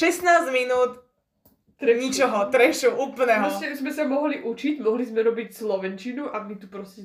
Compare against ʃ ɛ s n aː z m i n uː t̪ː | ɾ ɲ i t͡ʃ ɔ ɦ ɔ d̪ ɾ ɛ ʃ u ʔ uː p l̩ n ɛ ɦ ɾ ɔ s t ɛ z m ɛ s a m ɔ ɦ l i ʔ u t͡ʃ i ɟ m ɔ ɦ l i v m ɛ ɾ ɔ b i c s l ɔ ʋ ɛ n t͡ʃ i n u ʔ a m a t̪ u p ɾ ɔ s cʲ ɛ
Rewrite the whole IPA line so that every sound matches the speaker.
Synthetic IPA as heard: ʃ ɛ s n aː z m i n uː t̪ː | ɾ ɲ i t͡ʃ ɔ ɦ ɔ t̪ ɾ ɛ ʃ u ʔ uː p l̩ n ɛ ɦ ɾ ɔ s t ɛ z m ɛ s a m ɔ ɦ l i ʔ u t͡ʃ i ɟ m ɔ ɦ l i z m ɛ ɾ ɔ b i c s l ɔ ʋ ɛ n t͡ʃ i n u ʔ a m i t̪ u p ɾ ɔ s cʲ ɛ